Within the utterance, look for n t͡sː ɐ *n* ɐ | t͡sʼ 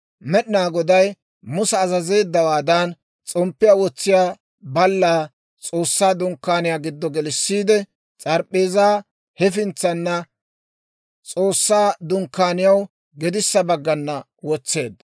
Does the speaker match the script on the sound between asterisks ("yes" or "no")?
no